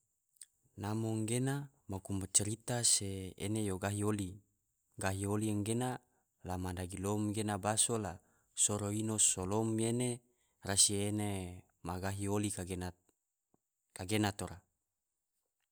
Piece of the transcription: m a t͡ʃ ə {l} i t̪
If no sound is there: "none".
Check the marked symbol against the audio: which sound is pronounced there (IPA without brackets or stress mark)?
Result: ɾ